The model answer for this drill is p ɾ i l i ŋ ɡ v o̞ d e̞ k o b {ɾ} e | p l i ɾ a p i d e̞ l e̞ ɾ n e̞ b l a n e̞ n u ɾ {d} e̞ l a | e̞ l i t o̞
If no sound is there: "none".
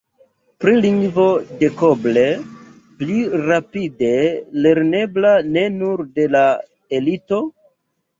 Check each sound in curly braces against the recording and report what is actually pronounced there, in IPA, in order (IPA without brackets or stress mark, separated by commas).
l, d